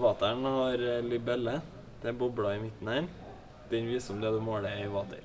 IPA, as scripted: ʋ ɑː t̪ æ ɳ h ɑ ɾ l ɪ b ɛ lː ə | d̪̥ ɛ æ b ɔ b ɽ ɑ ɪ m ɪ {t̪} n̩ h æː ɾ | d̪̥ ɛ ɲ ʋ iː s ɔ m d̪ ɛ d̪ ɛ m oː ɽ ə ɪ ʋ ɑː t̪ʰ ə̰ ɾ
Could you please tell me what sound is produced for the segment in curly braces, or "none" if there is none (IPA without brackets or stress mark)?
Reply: t̪